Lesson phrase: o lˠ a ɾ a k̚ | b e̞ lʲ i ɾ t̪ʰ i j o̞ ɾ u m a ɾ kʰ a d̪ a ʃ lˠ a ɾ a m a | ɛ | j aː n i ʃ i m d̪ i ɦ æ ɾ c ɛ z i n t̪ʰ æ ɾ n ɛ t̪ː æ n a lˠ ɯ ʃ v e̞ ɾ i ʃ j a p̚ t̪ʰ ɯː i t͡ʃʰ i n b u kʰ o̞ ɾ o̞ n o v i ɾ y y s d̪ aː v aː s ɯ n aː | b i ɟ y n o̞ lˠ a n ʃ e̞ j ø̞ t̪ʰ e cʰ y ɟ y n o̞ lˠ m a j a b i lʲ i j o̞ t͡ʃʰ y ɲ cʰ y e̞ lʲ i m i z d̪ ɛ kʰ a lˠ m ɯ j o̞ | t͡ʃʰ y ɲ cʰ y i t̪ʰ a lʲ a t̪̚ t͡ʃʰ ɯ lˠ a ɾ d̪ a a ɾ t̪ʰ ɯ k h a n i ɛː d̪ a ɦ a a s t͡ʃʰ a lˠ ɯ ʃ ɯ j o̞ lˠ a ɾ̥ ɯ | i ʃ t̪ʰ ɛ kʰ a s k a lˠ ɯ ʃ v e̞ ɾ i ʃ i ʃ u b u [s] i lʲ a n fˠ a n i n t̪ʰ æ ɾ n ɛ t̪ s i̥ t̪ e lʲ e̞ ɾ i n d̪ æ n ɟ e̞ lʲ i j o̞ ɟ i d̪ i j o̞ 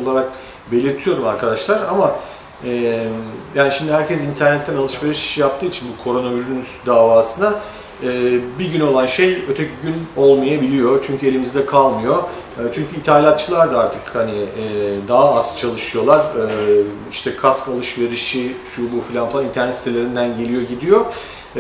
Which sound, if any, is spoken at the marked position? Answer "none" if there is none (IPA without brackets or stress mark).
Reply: f